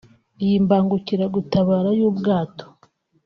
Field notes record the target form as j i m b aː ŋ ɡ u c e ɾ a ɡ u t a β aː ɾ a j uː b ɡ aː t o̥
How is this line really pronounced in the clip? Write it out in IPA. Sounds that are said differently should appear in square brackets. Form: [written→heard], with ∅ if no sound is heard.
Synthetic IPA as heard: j i m b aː ŋ ɡ u c [e→i] ɾ a ɡ u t a β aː ɾ a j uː b ɡ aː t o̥